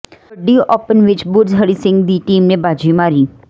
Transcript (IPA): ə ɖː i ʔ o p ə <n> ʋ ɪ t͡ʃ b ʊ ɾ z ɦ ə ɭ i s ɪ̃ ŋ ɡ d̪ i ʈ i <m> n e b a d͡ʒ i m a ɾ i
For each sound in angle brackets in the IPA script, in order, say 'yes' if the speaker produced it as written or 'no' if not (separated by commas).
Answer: yes, yes